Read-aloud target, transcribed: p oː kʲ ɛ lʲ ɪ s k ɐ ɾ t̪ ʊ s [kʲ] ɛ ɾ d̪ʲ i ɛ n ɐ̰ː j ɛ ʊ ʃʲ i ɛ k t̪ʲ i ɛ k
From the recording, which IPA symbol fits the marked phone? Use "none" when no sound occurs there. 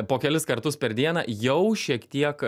pʲ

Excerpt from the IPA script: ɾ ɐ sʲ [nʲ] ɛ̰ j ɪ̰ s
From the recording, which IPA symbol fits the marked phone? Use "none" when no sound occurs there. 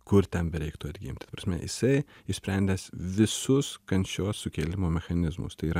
mʲ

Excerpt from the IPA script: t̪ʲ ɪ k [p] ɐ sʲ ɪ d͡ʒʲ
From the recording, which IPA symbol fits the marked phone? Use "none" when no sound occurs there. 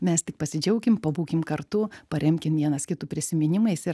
p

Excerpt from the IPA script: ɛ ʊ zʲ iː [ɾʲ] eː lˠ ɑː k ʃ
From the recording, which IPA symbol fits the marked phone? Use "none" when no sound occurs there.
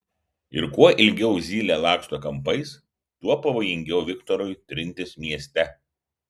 lʲ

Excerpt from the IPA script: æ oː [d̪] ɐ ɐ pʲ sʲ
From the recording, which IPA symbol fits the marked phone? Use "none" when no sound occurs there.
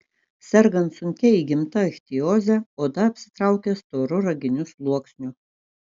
d̪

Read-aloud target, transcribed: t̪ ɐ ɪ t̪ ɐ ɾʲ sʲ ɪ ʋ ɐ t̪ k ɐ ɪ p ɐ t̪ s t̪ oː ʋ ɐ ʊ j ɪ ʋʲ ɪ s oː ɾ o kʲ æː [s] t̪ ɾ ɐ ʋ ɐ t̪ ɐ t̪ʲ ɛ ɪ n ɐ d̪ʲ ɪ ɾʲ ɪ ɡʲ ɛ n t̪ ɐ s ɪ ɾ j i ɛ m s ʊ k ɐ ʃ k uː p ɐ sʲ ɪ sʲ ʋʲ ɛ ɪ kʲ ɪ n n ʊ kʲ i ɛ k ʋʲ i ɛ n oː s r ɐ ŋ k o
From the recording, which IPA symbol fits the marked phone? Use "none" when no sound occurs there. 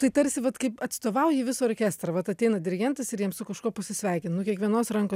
s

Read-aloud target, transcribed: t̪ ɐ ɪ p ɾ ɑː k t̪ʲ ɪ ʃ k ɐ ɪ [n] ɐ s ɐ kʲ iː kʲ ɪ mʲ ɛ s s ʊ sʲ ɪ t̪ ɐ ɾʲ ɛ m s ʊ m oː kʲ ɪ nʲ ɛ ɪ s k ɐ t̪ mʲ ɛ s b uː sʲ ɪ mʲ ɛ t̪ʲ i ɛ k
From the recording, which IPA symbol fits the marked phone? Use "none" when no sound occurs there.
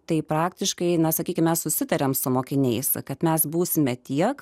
n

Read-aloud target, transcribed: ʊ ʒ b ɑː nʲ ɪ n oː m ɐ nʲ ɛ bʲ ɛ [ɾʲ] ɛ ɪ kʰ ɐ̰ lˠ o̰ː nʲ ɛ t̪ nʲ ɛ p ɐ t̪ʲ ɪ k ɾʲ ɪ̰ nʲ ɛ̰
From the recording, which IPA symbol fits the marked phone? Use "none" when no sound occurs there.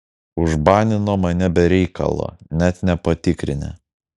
ɾʲ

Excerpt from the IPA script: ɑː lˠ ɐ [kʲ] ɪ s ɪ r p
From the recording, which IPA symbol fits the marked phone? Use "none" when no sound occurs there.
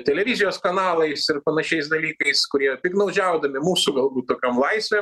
none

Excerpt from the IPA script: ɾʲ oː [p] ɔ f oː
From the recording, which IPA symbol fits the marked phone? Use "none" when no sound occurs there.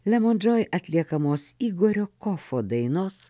k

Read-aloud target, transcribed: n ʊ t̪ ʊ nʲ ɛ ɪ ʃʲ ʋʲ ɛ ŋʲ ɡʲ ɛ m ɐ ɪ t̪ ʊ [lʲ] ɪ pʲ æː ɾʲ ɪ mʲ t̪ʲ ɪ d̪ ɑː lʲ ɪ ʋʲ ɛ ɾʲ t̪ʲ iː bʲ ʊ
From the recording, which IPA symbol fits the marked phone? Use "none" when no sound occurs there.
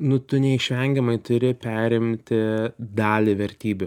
ɾʲ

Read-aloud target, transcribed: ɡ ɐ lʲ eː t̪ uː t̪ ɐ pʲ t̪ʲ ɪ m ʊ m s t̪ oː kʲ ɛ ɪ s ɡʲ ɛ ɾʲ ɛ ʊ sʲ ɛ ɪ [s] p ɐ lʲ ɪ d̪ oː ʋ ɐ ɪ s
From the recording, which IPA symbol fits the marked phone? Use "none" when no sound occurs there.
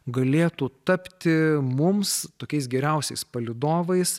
s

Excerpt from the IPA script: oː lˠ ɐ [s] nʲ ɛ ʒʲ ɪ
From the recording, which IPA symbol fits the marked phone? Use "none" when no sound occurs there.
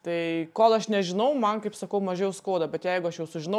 ʃ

